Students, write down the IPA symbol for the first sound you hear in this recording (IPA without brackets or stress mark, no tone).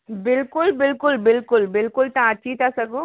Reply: b